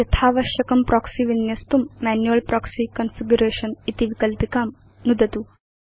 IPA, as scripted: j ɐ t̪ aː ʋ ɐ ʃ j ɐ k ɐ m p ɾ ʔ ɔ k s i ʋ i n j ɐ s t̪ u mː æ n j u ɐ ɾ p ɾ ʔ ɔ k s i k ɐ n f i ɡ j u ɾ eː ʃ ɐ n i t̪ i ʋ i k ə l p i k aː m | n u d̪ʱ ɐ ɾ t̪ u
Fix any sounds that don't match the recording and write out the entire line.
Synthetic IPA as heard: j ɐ t̪ʰ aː ʋ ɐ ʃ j ɐ k ɐ m p ɾ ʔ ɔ k s i ʋ i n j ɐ s t̪ u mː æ n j u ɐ l p ɾ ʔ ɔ k s i k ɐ n f i ɡ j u ɾ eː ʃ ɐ n i t̪ i ʋ i k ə l p i k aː m | n u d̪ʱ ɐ t̪ u